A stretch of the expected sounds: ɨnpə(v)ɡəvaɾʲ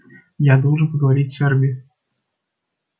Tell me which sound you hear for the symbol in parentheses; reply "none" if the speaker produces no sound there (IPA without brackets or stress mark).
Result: none